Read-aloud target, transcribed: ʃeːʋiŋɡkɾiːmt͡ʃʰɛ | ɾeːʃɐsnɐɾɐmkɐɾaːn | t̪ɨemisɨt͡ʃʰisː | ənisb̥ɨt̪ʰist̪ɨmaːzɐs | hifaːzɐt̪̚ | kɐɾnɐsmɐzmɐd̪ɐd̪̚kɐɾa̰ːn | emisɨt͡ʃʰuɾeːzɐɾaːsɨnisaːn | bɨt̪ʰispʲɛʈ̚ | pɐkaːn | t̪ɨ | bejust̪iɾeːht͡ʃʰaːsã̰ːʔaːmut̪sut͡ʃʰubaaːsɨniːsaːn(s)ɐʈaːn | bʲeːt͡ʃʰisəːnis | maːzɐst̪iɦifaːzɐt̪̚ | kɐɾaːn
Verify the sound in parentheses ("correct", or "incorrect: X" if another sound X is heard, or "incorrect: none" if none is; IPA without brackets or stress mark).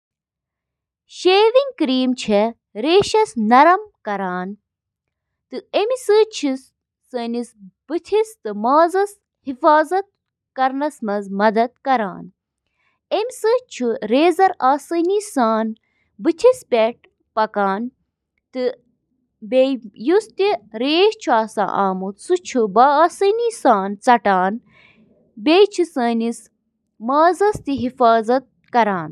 incorrect: t͡s